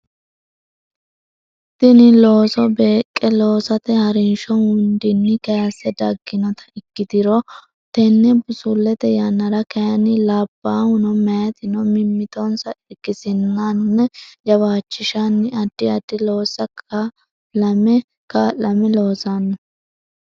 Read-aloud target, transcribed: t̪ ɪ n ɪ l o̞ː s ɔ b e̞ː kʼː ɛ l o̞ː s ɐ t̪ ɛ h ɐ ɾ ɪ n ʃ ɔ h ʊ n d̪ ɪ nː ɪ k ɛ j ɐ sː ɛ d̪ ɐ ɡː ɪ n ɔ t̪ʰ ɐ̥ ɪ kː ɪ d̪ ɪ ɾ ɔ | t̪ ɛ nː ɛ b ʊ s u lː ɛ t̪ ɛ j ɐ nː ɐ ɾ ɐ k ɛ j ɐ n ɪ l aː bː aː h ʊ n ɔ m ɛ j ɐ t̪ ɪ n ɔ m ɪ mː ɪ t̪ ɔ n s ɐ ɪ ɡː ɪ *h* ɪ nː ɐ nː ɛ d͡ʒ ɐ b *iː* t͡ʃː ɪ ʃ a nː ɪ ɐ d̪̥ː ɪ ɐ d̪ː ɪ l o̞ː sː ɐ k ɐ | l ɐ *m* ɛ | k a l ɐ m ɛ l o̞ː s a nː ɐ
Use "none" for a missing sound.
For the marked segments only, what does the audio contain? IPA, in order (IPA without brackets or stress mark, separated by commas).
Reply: s, aː, m